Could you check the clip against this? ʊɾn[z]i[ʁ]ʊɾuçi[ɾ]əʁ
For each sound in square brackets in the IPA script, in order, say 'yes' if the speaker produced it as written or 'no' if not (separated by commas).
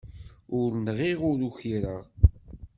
no, yes, yes